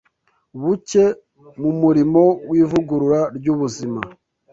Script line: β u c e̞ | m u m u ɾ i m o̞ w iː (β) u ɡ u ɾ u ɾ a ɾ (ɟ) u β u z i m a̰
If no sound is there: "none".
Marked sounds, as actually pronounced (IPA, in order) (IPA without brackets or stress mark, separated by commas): v, ɟ